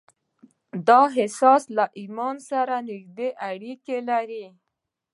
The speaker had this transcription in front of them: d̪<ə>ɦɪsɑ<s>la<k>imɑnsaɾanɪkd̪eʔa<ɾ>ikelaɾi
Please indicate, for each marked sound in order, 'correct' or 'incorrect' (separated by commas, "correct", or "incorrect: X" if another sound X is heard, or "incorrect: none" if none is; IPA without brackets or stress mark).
incorrect: ɑ, correct, incorrect: ʔ, incorrect: ɽ